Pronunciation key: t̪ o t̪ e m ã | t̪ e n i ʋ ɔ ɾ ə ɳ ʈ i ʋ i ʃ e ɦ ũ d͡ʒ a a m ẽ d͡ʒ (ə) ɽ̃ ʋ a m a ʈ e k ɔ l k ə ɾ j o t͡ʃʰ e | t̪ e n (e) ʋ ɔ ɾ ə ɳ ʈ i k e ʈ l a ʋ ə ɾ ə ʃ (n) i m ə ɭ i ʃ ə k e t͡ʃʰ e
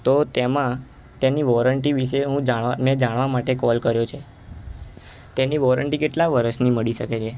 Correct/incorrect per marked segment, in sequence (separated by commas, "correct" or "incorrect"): incorrect, incorrect, correct